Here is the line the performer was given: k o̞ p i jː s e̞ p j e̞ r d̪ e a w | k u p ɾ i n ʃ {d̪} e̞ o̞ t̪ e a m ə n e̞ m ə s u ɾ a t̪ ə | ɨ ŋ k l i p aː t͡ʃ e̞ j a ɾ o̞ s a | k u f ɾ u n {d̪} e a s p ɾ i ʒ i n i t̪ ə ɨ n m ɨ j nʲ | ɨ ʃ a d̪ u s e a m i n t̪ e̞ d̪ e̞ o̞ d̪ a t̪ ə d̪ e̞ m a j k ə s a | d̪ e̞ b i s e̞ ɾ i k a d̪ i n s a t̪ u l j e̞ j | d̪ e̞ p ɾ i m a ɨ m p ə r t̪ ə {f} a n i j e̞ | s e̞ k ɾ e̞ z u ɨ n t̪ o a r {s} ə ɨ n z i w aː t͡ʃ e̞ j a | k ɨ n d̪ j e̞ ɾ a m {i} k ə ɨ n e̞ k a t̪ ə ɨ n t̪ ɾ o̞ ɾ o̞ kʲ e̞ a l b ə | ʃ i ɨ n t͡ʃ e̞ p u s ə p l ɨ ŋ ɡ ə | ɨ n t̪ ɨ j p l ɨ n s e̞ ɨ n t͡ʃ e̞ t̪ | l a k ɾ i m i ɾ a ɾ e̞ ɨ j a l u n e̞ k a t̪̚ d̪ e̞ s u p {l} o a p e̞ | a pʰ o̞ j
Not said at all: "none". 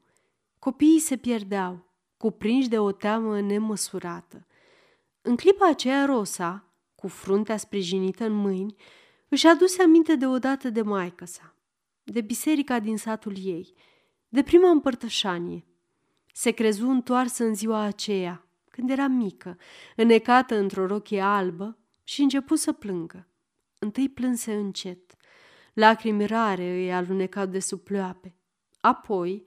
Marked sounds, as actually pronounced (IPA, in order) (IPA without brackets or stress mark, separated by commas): d̪, t̪, ʃ, s, i, l